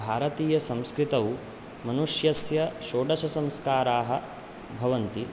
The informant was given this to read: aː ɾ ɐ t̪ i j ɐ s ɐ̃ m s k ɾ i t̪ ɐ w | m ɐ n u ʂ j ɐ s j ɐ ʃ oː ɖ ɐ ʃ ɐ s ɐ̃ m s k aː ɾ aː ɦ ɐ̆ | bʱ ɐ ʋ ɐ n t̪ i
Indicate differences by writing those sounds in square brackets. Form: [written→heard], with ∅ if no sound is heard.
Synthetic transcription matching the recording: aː ɾ ɐ t̪ [i→iː] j ɐ s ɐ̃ m s k ɾ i t̪ ɐ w | m ɐ n u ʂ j ɐ s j ɐ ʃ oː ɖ ɐ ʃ ɐ s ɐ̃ m s k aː ɾ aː ɦ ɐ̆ | bʱ ɐ ʋ ɐ n t̪ i